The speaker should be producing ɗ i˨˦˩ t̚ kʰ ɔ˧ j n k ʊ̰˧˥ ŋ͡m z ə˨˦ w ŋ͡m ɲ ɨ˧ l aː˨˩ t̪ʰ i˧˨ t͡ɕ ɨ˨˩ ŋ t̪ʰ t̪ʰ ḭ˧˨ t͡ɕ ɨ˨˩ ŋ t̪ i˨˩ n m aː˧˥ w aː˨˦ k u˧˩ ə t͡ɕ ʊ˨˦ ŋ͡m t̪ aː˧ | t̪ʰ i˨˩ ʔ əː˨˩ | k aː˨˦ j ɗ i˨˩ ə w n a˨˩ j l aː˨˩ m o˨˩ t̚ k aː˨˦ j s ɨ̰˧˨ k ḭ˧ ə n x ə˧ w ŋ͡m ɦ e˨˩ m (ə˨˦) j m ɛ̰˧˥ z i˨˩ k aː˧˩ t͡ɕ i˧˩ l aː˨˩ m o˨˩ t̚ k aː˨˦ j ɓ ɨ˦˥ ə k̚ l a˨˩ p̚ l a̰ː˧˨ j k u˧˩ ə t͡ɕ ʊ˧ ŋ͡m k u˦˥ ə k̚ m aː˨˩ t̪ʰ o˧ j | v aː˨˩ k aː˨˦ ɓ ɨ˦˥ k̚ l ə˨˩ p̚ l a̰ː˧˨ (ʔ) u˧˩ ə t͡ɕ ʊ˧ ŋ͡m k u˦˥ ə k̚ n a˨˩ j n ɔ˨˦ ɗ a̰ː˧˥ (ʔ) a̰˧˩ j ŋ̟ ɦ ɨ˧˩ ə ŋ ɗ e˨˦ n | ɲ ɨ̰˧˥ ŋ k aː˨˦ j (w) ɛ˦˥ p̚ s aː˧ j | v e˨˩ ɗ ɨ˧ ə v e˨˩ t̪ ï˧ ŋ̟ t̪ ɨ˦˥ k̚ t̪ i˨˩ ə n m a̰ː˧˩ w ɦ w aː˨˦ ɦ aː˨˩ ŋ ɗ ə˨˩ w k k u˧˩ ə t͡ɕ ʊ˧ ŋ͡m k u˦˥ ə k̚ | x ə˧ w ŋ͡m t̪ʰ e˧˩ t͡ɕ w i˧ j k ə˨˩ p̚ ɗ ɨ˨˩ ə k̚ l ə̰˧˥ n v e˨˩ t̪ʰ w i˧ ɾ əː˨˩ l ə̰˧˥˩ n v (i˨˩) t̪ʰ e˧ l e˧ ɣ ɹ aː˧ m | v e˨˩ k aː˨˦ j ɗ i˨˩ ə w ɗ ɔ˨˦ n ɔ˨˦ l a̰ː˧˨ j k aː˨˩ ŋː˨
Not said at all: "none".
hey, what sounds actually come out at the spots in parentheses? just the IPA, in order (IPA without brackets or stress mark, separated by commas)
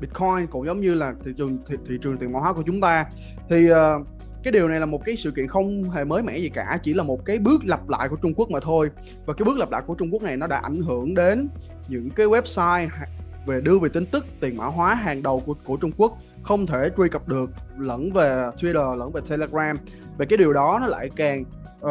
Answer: əː˨˦, k, ʔ, w, e˨˩